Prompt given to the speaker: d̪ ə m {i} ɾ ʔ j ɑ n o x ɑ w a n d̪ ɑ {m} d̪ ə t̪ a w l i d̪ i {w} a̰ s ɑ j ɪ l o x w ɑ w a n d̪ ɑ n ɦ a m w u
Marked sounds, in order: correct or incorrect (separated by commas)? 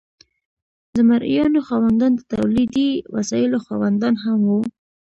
incorrect, incorrect, correct